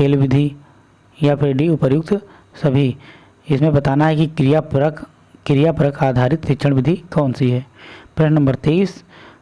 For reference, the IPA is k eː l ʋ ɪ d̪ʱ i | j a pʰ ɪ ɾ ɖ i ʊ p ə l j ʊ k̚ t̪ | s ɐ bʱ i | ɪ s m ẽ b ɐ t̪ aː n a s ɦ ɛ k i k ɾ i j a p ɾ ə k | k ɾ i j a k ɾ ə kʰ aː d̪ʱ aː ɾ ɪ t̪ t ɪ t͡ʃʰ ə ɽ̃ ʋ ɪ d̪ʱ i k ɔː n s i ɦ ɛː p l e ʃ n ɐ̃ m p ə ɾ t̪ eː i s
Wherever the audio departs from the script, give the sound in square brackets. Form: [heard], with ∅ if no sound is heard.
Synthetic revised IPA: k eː l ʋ ɪ d̪ʱ i | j a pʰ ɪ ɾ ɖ i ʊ p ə [ɾ] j ʊ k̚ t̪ | s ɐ bʱ i | ɪ s m ẽ b ɐ t̪ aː n a [∅] ɦ ɛ k i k ɾ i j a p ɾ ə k | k ɾ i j a [p] ɾ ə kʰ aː d̪ʱ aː ɾ ɪ t̪ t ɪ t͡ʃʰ ə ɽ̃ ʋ ɪ d̪ʱ i k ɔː n s i ɦ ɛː p [ɾ] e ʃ n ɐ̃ m [b] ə ɾ t̪ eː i s